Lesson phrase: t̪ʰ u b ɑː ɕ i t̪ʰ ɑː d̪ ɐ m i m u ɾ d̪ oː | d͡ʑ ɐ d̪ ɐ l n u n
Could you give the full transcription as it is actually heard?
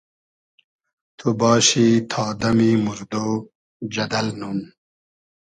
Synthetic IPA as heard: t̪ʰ u b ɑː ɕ i t̪ʰ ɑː d̪ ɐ m i m u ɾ d̪ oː | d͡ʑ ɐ d̪ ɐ l n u n